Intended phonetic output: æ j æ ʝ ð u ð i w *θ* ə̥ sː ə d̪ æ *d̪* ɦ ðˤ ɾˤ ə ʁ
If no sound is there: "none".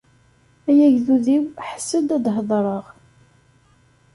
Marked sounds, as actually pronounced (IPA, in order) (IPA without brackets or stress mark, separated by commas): ħ, d̪